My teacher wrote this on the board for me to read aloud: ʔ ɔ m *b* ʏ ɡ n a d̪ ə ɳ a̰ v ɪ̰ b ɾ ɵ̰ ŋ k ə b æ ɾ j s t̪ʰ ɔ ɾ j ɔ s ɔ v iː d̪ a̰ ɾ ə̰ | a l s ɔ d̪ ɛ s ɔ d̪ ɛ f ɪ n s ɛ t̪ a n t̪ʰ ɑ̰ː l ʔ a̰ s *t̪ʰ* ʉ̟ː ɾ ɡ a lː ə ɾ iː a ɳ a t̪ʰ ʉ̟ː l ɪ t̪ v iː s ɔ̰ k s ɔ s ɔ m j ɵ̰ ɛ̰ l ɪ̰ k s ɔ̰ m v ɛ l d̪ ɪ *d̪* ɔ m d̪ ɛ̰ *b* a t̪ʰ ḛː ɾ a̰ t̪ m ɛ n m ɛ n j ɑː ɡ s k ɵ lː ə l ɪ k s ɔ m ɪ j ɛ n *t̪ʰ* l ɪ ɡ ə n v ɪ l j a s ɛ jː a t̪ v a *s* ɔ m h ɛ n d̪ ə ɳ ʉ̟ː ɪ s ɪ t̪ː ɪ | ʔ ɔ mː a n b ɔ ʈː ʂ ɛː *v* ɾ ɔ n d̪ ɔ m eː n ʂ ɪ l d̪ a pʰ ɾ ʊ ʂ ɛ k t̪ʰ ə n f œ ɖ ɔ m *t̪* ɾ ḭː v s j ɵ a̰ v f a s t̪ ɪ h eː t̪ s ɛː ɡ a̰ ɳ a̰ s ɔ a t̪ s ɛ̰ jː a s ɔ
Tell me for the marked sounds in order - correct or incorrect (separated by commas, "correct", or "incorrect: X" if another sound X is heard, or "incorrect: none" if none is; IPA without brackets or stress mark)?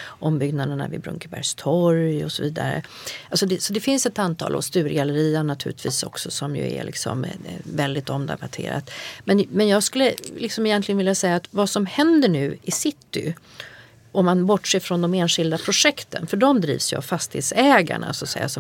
correct, incorrect: t̪, incorrect: t̪, correct, incorrect: t̪, correct, incorrect: f, incorrect: d̪